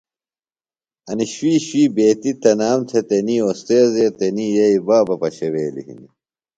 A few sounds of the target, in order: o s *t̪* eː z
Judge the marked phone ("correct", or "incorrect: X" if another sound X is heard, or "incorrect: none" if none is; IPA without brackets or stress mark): correct